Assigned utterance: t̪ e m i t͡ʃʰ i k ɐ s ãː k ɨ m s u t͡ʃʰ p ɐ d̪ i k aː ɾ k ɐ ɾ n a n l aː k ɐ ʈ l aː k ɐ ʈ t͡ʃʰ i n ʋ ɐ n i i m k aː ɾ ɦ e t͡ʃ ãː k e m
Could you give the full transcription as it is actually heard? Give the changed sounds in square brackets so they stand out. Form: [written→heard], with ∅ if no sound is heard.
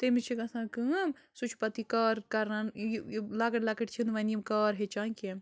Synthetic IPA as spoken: t̪ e m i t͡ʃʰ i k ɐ s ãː k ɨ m s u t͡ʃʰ p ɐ [d̪→t̪] i k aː ɾ k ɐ ɾ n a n l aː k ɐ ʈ l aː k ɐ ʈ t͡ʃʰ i n ʋ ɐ n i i m k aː ɾ ɦ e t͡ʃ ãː k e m